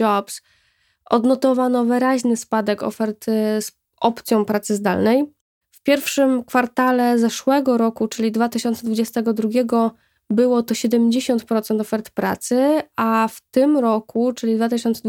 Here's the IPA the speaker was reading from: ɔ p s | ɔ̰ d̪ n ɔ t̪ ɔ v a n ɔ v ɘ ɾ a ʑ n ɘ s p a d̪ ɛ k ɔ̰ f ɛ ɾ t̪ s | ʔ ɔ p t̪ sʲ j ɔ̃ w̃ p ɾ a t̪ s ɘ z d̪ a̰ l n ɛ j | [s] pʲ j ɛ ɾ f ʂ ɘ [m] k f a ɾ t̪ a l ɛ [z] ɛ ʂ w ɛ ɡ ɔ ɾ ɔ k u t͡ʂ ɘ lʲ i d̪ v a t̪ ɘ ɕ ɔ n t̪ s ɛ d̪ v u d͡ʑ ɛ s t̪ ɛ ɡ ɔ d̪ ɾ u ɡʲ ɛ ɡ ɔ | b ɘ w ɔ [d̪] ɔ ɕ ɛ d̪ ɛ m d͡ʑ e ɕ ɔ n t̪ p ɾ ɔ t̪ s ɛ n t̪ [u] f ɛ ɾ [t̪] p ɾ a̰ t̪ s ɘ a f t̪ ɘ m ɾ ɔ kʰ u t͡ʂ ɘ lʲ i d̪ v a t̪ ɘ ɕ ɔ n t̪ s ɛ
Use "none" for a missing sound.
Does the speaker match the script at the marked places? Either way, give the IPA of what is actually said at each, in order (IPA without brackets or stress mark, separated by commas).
f, m, z, t̪, ɔ, t̪